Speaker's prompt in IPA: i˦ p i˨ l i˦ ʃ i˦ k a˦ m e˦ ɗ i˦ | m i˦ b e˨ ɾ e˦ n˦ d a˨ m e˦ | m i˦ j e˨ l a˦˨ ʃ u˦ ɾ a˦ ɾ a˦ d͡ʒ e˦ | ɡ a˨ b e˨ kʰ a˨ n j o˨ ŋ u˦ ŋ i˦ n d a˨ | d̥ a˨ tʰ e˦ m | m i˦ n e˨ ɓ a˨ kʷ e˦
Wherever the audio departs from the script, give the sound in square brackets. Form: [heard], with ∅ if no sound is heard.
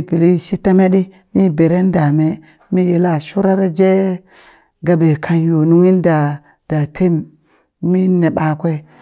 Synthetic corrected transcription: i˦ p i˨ l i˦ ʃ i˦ [t] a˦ m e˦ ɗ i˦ | m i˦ b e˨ ɾ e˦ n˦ d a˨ m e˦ | m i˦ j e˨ l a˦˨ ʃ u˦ ɾ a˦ ɾ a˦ d͡ʒ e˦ | ɡ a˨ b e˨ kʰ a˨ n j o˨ [n] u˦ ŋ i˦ n d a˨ | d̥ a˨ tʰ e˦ m | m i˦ n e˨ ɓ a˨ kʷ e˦